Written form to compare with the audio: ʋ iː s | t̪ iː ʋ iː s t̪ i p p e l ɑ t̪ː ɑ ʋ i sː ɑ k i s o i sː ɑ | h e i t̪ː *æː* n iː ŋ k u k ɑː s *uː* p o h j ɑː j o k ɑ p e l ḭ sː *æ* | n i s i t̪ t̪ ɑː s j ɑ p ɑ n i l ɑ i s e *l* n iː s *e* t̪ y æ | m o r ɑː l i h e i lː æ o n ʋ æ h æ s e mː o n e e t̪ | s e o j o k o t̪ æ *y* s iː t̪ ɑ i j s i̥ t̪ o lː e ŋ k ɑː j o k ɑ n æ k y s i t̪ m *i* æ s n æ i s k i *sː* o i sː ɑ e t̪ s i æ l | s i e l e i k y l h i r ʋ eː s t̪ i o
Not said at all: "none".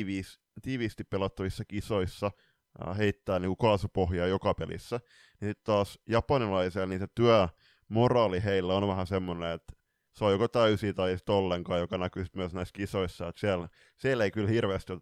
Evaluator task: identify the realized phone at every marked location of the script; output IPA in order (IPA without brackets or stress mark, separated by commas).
æː, u, æ, l, e, y, y, s